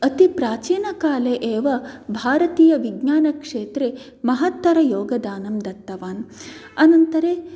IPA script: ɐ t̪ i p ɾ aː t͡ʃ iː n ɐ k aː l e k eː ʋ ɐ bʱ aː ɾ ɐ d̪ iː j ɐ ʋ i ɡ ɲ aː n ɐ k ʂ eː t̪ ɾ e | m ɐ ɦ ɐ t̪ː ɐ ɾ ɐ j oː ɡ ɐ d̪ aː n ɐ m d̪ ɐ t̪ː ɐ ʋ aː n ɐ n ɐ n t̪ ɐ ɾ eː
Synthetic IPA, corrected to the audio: ɐ t̪ i p ɾ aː t͡ʃ iː n ɐ k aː l e ʔ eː ʋ ɐ bʱ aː ɾ ɐ t̪ iː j ɐ ʋ i ɡ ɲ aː n ɐ k ʂ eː t̪ ɾ e | m ɐ ɦ ɐ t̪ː ɐ ɾ ɐ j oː ɡ ɐ d̪ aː n ɐ m d̪ ɐ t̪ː ɐ ʋ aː n ɐ n ɐ n t̪ ɐ ɾ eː